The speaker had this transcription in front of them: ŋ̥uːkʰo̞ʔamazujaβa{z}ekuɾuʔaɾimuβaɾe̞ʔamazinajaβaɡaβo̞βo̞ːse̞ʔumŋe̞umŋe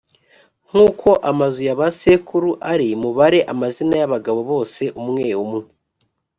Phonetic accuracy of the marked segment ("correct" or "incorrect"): incorrect